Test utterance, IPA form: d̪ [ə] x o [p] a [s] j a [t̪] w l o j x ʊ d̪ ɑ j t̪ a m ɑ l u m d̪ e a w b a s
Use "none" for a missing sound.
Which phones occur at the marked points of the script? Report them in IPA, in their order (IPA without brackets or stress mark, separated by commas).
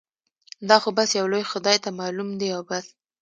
ɑ, b, s, none